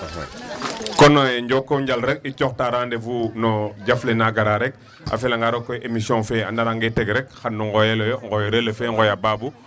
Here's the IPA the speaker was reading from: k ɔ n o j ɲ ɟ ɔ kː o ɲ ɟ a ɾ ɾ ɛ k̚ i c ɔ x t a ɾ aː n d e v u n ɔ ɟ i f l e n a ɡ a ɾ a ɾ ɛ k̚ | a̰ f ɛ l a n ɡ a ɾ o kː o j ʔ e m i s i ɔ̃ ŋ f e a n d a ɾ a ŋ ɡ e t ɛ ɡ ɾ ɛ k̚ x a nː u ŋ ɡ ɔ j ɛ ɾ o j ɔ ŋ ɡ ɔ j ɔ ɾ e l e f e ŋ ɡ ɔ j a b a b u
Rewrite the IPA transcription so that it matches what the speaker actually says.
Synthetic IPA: k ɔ n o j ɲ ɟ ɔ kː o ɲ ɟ a l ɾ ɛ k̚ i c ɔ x t a ɾ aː n d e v u n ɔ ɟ a f l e n a ɡ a ɾ a ɾ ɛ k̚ | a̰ f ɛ l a ŋ ɡ a ɾ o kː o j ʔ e m i s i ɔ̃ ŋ f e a n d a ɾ a ŋ ɡ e t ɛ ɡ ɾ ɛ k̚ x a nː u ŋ ɡ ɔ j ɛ l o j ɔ ŋ ɡ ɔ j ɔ ɾ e l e f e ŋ ɡ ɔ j a b a b u